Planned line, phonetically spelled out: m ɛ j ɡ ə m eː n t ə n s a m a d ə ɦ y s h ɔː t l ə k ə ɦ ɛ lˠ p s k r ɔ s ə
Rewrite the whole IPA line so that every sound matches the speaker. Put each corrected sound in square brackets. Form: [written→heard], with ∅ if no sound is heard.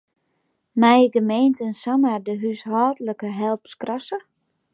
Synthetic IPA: m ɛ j ɡ ə m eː n t ə n s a m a d ə ɦ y s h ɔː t l ə k ə ɦ ɛ lˠ p s k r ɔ s ə